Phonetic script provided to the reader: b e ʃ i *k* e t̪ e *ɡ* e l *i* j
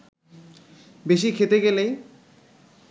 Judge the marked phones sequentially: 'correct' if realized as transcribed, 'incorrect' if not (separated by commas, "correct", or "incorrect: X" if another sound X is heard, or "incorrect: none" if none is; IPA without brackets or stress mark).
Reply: incorrect: kʰ, correct, incorrect: e